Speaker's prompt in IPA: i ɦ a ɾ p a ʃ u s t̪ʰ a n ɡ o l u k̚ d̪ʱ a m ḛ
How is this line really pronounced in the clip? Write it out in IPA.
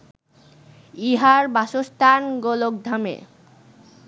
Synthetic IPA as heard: i ɦ a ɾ b a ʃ o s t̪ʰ a n ɡ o l o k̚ d̪ʱ a m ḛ